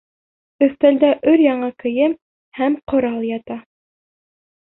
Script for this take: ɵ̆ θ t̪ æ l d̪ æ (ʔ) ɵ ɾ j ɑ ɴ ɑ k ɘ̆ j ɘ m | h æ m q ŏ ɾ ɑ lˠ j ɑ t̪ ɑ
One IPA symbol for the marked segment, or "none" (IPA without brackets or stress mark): ʔ